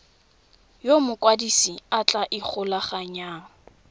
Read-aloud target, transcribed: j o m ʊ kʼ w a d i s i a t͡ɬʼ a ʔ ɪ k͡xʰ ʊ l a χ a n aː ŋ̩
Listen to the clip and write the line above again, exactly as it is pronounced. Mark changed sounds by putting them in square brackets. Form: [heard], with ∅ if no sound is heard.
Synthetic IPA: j o m ʊ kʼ w a d i s i a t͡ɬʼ a ʔ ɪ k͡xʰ ʊ l a χ a [ɲ] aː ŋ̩